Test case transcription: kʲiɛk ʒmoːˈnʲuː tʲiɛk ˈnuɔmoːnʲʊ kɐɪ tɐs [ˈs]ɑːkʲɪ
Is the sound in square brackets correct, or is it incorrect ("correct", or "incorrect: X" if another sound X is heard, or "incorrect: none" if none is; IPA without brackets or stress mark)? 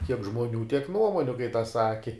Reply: correct